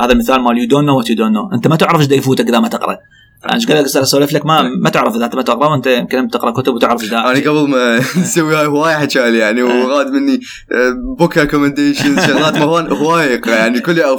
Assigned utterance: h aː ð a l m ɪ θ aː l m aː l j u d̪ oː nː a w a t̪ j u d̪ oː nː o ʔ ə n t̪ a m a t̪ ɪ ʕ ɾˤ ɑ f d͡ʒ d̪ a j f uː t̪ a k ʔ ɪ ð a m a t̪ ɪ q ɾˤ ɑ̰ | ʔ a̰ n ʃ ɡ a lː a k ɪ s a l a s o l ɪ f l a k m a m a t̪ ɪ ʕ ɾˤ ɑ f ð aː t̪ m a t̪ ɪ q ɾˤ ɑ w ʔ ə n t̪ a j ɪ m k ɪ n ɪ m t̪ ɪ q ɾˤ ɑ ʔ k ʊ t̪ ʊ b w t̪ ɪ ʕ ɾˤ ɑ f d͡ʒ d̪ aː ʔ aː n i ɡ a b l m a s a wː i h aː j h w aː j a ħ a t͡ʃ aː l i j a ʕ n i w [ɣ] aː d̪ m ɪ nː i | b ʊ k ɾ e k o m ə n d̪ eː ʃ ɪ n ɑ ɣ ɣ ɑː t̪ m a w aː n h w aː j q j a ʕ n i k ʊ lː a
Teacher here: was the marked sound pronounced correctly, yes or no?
yes